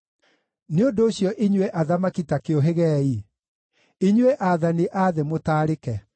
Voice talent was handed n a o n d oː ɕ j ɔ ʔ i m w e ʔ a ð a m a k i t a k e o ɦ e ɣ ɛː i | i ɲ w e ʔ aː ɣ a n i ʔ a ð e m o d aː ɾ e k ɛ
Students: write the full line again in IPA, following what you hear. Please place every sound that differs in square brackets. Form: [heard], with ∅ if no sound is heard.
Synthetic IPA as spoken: n [e] o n d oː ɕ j ɔ ʔ i [ɲ] w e ʔ a ð a m a k i t a k e o ɦ e ɣ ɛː i | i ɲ w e ʔ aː [ð] a n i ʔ a ð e m o [t] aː ɾ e k ɛ